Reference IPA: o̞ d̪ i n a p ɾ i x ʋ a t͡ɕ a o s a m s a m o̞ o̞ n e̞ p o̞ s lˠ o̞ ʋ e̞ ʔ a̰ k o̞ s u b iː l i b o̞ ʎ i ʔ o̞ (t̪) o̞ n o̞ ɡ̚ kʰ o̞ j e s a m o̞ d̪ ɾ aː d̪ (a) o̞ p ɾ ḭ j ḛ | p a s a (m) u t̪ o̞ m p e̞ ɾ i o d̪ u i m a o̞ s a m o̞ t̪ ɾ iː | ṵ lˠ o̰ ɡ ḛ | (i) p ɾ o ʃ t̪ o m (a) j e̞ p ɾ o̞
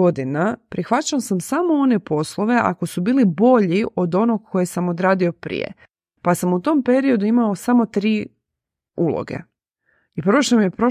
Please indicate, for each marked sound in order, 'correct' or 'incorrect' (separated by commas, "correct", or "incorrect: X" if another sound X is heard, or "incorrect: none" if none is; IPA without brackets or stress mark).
incorrect: d̪, incorrect: i, correct, correct, incorrect: i